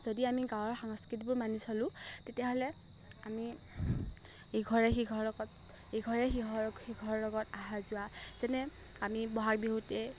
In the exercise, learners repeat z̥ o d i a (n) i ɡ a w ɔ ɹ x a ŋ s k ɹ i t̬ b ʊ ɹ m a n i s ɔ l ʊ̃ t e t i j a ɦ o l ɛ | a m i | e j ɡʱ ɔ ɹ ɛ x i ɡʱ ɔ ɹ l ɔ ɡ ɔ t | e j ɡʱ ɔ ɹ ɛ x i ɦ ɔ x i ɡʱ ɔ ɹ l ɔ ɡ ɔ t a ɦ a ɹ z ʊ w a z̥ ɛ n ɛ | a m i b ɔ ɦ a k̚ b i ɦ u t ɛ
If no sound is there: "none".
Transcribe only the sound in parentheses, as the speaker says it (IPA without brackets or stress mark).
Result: m